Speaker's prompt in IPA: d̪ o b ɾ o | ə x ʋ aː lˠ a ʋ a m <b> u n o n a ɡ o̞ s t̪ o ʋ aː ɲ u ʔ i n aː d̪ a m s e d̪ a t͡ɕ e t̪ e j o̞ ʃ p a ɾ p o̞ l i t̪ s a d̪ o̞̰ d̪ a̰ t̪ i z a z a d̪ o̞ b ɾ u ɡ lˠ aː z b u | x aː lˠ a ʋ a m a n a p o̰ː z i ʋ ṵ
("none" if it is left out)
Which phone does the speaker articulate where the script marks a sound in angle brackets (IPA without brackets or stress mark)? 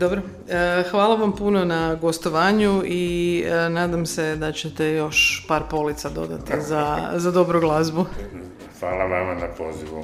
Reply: p